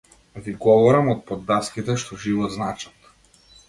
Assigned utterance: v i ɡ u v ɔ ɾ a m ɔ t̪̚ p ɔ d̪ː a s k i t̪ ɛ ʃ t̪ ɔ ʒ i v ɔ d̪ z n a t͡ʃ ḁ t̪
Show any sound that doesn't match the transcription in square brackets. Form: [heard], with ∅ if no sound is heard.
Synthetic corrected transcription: v i ɡ [ɔ] v ɔ ɾ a m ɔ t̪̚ p ɔ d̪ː a s k i t̪ ɛ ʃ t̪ ɔ ʒ i v ɔ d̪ z n a t͡ʃ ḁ t̪